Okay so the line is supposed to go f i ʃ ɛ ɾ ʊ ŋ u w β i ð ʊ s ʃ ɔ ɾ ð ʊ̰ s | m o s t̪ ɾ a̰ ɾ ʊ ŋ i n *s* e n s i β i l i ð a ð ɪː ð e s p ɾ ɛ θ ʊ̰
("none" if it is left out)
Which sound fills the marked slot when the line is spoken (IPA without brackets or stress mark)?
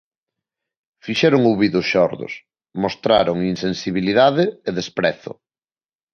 s